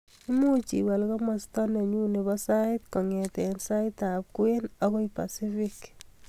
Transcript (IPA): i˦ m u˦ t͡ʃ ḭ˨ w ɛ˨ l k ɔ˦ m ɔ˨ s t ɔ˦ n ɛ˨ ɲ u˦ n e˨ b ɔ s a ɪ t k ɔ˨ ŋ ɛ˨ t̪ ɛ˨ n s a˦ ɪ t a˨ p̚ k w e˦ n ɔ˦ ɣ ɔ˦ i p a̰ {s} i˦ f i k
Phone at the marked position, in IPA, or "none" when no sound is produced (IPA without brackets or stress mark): s